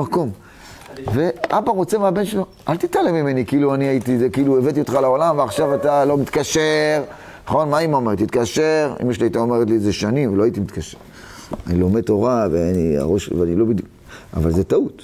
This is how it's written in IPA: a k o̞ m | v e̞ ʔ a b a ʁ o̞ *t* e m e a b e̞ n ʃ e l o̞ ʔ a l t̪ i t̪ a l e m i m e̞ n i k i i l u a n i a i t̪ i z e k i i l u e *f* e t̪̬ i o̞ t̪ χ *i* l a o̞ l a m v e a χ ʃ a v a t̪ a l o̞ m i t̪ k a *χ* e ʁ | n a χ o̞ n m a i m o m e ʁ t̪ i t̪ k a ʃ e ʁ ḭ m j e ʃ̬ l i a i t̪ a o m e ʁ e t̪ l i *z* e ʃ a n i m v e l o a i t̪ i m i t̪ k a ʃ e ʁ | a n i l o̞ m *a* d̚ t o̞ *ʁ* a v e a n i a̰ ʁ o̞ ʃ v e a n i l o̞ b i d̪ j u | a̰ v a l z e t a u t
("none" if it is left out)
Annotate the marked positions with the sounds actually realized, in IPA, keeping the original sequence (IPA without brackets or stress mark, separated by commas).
t͡s, v, a, ʃ, z, e, ʁ